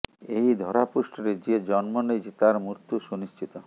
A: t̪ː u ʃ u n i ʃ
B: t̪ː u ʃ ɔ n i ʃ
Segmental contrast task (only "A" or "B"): A